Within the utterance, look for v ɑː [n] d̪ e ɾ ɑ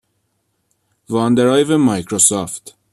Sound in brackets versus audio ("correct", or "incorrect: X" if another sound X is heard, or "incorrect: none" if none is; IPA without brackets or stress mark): correct